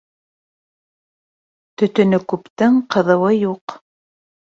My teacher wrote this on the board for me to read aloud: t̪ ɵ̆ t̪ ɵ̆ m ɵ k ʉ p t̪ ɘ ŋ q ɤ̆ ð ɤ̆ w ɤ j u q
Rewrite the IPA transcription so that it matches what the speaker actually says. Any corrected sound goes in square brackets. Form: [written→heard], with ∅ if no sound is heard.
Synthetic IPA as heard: t̪ ɵ̆ t̪ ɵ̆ [m→n] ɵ k ʉ p t̪ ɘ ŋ q ɤ̆ ð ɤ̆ w ɤ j u q

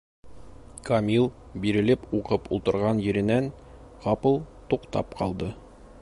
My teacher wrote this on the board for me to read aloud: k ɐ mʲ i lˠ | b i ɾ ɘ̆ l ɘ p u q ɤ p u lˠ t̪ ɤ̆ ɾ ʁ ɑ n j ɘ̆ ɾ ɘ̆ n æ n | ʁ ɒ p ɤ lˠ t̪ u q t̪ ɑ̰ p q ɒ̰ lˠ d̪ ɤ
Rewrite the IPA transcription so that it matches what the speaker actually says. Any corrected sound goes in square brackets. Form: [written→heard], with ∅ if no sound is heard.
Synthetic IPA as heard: k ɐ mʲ i lˠ | b i ɾ ɘ̆ l ɘ p u q ɤ p u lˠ t̪ ɤ̆ ɾ ʁ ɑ n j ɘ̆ ɾ ɘ̆ n æ n | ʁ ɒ p ɤ lˠ t̪ u q t̪ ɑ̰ p q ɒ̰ lˠ d̪ ɤ

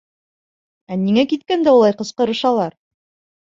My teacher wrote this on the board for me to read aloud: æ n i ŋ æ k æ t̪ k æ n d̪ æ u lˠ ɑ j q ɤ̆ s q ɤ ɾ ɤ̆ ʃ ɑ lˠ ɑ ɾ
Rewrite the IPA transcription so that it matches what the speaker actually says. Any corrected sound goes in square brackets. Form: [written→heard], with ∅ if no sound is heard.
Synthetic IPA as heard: æ n i ŋ æ k [æ→i] t̪ k æ n d̪ æ u lˠ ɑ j q ɤ̆ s q ɤ ɾ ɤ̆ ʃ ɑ lˠ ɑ ɾ

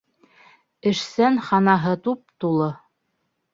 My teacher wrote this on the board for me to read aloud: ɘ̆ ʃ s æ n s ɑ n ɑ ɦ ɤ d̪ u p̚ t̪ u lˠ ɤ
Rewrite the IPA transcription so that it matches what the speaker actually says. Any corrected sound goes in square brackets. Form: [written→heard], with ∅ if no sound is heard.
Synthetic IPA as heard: ɘ̆ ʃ s æ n [s→χ] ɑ n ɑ ɦ ɤ [d̪→t̪] u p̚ t̪ u lˠ ɤ

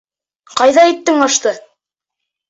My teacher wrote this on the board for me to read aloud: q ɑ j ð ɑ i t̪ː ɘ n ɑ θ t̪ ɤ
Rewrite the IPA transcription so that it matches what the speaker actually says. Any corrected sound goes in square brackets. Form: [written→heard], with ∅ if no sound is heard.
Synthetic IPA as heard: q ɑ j ð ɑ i t̪ː ɘ [n→ŋ] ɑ [θ→ʃ] t̪ ɤ

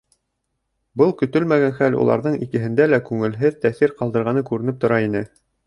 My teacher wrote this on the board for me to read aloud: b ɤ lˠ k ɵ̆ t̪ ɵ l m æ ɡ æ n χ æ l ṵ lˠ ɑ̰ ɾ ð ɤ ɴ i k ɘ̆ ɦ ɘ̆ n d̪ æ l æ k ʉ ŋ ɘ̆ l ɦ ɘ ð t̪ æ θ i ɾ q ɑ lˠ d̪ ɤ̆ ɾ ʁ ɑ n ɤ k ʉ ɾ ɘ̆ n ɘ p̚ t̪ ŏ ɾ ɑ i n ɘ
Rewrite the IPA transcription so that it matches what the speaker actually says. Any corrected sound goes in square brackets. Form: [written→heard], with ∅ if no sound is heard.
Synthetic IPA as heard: b ɤ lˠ k ɵ̆ t̪ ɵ l m æ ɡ æ n χ æ l ṵ lˠ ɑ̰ ɾ ð ɤ ɴ i k ɘ̆ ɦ ɘ̆ n d̪ æ l æ k ʉ ŋ ɘ̆ l ɦ ɘ ð t̪ æ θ i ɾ q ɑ lˠ d̪ ɤ̆ ɾ ʁ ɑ n ɤ k ʉ ɾ ɘ̆ n ɘ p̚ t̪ ŏ ɾ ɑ i n ɘ

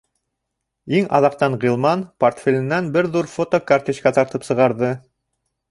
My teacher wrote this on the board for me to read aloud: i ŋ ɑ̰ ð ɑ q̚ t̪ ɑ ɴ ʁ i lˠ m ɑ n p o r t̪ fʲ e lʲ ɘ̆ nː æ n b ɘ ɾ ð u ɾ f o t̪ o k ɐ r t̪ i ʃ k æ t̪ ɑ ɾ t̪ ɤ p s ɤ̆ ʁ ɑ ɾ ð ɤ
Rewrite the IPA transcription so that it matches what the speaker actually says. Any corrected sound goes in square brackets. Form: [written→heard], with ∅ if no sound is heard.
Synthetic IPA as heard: i ŋ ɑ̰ ð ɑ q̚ t̪ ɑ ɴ ʁ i lˠ m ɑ n p o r t̪ fʲ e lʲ ɘ̆ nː æ n b ɘ ɾ ð u ɾ f o t̪ o k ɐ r t̪ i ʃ k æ t̪ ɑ ɾ t̪ ɤ p s ɤ̆ ʁ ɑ ɾ ð ɤ

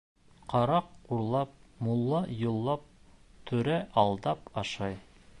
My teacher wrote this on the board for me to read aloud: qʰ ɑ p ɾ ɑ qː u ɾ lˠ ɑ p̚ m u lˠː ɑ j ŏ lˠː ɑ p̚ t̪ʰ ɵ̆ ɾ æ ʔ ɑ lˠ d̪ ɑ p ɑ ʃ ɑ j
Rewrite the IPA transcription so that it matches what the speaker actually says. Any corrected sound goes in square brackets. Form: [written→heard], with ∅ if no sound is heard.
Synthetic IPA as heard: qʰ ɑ [p→∅] ɾ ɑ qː u ɾ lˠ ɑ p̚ m u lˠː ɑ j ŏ lˠː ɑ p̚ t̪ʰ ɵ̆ ɾ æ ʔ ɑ lˠ d̪ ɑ p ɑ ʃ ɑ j

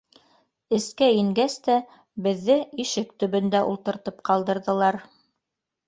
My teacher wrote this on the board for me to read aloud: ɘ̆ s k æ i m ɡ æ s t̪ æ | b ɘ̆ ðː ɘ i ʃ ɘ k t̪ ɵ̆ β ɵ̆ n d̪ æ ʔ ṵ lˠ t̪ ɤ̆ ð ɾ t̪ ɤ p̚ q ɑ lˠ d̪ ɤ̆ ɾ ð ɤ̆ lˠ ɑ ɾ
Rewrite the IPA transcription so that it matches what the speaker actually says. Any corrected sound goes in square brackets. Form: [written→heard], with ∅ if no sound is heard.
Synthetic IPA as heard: ɘ̆ s k æ i [m→ŋ] ɡ æ s t̪ æ | b ɘ̆ ðː ɘ i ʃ ɘ k t̪ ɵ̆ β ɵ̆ n d̪ æ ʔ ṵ lˠ t̪ ɤ̆ [ð→∅] ɾ t̪ ɤ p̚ q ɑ lˠ d̪ ɤ̆ ɾ ð ɤ̆ lˠ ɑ ɾ

